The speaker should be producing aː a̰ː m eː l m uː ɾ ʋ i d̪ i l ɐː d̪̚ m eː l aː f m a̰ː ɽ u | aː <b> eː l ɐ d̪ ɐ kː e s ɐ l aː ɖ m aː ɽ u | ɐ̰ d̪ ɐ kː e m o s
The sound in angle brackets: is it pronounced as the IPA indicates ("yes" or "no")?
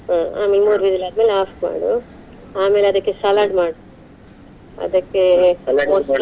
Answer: no